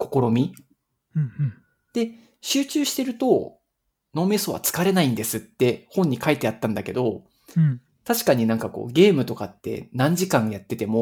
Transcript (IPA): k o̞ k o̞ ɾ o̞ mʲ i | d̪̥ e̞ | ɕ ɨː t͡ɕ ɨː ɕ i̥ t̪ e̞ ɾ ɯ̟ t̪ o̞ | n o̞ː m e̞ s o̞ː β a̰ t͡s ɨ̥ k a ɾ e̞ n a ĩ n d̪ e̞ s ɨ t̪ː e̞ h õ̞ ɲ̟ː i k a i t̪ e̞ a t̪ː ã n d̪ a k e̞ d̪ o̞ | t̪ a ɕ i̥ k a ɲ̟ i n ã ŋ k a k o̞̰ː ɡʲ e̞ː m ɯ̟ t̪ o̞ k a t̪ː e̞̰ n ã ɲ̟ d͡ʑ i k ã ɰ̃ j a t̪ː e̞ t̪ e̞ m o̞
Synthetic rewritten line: k o̞ k o̞ ɾ o̞ mʲ i | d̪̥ e̞ | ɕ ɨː t͡ɕ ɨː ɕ i̥ t̪ e̞ ɾ ɯ̟ t̪ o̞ | n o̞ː m e̞ s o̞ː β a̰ t͡s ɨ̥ k a ɾ e̞ n a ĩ n d̪ e̞ s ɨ t̪ː e̞ h õ̞ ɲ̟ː i k a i t̪ e̞ a t̪ː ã n d̪ a k e̞ d̪ o̞ | t̪ a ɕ i̥ k a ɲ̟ i n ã ŋ k a k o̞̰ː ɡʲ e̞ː m ɯ̟ t̪ o̞ k a t̪ː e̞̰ n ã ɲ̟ d͡ʑ i k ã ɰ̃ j a t̪ː e̞ t̪ e̞ m o̞